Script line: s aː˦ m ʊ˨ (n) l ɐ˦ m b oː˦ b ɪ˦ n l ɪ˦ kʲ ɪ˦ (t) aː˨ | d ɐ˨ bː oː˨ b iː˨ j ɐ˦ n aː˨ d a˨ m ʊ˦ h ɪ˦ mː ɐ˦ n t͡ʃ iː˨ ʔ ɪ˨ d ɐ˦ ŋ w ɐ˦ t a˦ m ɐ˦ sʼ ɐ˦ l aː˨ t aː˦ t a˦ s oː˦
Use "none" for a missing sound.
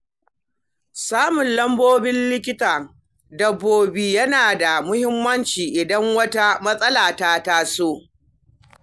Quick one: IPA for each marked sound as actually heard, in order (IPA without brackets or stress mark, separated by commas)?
n, t